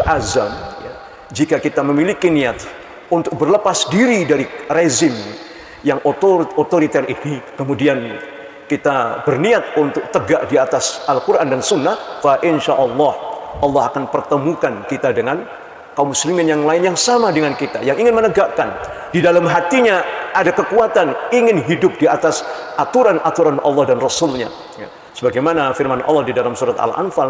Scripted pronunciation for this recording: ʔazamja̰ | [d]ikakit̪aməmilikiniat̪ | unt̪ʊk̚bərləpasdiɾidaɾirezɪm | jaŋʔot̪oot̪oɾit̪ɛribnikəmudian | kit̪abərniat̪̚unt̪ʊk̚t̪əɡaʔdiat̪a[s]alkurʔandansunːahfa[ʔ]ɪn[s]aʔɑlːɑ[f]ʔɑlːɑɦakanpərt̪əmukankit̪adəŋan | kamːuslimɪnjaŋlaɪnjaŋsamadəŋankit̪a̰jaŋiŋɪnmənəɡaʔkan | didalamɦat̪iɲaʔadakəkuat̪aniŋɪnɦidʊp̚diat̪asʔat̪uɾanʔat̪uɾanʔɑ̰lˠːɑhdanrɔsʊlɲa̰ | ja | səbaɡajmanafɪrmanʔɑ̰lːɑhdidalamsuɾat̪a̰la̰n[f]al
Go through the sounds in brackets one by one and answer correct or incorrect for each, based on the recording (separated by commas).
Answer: incorrect, correct, correct, incorrect, incorrect, correct